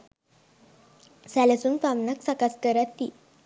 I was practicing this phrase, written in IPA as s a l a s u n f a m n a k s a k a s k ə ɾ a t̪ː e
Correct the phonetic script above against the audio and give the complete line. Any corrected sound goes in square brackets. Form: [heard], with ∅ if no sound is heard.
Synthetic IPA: s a l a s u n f a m n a k s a k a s k ə ɾ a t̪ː [i]